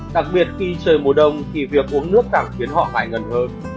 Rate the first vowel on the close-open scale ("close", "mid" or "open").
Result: open